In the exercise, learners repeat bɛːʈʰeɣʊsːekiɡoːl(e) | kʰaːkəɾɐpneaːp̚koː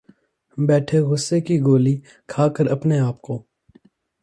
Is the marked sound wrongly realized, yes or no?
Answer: yes